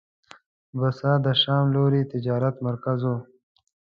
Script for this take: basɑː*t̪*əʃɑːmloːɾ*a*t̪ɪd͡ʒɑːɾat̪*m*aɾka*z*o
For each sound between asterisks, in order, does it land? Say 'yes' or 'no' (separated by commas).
no, no, yes, yes